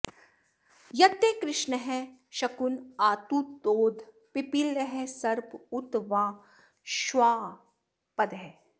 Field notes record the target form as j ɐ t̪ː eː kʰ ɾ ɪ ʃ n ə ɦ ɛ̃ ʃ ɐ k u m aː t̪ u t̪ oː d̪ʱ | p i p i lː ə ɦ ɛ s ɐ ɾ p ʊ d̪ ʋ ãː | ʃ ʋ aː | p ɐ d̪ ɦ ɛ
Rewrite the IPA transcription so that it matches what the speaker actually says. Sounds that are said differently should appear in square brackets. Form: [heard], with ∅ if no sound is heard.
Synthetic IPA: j ɐ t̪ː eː [k] ɾ ɪ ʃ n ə ɦ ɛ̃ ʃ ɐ k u [n] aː t̪ u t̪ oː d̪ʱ | p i p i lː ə ɦ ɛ s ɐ ɾ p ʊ [t̪] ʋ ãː | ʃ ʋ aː | p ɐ d̪ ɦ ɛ

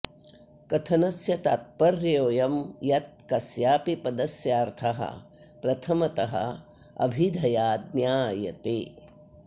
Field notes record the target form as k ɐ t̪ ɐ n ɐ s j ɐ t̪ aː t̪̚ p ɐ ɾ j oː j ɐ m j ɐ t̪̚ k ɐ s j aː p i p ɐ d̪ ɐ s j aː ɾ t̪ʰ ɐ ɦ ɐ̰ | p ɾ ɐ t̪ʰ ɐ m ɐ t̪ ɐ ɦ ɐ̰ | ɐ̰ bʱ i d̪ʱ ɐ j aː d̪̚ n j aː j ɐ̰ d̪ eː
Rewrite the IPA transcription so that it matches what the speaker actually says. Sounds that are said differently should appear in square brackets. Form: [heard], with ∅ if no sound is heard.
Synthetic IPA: k ɐ [t̪ʰ] ɐ n ɐ s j ɐ t̪ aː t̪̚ p ɐ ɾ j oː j ɐ m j ɐ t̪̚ k ɐ s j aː p i p ɐ d̪ ɐ s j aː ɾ t̪ʰ ɐ ɦ ɐ̰ | p ɾ ɐ t̪ʰ ɐ m ɐ t̪ ɐ ɦ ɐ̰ | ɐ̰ bʱ i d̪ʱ ɐ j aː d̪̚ n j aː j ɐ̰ [t̪] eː

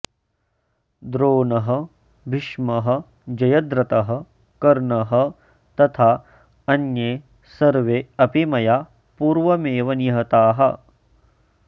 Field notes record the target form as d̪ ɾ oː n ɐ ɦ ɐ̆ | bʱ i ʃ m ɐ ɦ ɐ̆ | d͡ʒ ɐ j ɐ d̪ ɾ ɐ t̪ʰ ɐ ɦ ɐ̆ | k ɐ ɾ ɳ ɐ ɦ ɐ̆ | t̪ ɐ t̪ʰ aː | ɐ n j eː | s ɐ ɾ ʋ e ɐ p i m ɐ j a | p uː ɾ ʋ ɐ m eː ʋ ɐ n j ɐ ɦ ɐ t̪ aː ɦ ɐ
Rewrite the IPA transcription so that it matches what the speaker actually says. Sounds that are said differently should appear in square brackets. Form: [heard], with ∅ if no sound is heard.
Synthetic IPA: d̪ ɾ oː n ɐ ɦ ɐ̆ | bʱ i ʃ m ɐ ɦ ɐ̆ | d͡ʒ ɐ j ɐ d̪ ɾ ɐ [t̪] ɐ ɦ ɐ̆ | k ɐ ɾ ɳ ɐ ɦ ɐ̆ | t̪ ɐ t̪ʰ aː | ɐ n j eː | s ɐ ɾ ʋ e ɐ p i m ɐ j a | p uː ɾ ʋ ɐ m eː ʋ ɐ n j ɐ ɦ ɐ t̪ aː ɦ ɐ

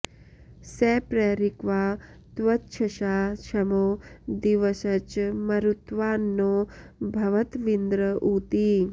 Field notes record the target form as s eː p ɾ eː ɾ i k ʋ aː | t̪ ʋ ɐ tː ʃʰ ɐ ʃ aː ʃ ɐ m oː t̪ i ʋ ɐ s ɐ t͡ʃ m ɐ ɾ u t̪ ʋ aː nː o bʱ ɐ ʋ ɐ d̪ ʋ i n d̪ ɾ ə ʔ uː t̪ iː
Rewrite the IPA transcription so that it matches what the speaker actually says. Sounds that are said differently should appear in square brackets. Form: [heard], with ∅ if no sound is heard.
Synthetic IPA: s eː p ɾ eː ɾ i k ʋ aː | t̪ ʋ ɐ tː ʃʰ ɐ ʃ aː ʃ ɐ m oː [d̪] i ʋ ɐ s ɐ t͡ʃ m ɐ ɾ u t̪ ʋ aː nː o bʱ ɐ ʋ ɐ [t̪] ʋ i n d̪ ɾ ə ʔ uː t̪ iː

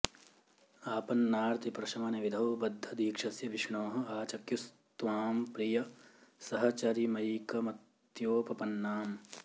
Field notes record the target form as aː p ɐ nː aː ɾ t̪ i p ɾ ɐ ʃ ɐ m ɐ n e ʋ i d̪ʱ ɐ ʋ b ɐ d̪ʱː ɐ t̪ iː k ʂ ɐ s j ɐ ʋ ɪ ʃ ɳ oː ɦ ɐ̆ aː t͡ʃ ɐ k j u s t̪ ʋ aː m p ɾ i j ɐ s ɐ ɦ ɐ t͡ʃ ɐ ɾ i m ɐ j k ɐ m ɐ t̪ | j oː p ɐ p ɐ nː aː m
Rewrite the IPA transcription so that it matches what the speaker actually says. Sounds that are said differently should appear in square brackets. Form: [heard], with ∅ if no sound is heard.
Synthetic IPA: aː p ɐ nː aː ɾ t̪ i p ɾ ɐ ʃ ɐ m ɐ n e ʋ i d̪ʱ ɐ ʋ b ɐ d̪ʱː ɐ [d̪] iː k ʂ ɐ s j ɐ ʋ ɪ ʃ ɳ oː ɦ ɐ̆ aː t͡ʃ ɐ k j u s t̪ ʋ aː m p ɾ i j ɐ s ɐ ɦ ɐ t͡ʃ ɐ ɾ i m ɐ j k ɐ m ɐ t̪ | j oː p ɐ p ɐ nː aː m

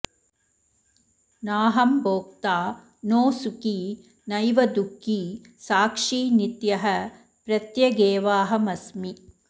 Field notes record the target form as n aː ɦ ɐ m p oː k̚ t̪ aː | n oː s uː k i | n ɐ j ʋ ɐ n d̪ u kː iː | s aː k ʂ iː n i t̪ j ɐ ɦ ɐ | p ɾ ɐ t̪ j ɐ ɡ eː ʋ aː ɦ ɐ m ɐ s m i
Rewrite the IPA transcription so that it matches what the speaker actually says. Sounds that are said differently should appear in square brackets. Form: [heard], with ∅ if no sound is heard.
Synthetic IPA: n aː ɦ ɐ m [b] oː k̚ t̪ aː | n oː s [u] k i | n ɐ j ʋ ɐ [∅] d̪ u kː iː | s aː k ʂ iː n i t̪ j ɐ ɦ ɐ | p ɾ ɐ t̪ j ɐ ɡ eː ʋ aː ɦ ɐ m ɐ s m i

